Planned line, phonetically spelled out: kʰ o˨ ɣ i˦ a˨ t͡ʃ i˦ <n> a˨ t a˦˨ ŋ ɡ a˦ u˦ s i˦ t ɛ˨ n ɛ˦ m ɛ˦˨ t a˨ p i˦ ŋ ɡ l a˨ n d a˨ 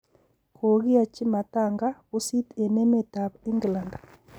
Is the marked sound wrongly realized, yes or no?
yes